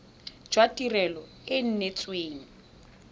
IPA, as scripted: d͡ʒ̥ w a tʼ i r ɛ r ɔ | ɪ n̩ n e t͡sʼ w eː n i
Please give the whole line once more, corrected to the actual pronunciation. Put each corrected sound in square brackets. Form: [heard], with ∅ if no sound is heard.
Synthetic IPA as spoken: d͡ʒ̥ w a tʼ i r ɛ [l] ɔ | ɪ n̩ n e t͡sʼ w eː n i